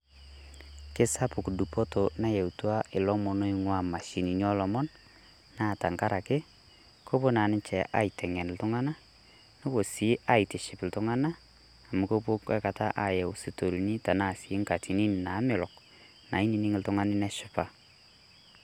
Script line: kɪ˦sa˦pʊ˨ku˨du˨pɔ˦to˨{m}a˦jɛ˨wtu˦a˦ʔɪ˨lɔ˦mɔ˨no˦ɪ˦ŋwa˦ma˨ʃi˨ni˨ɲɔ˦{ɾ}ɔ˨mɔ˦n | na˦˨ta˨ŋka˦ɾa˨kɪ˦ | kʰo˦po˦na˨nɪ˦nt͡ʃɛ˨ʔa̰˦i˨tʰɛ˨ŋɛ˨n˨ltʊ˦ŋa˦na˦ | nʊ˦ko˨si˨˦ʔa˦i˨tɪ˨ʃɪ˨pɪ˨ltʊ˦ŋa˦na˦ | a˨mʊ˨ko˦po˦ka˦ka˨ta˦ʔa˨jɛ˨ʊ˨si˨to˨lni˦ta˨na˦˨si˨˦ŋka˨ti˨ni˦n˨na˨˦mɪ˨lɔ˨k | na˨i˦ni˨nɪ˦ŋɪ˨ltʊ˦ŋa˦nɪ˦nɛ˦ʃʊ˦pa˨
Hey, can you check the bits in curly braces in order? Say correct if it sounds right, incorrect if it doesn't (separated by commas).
incorrect, incorrect